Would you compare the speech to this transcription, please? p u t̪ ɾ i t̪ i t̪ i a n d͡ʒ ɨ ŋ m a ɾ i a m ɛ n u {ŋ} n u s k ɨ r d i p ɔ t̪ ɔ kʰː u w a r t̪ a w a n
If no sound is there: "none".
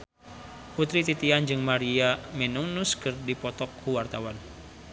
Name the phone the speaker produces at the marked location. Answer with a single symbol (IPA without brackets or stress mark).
ŋ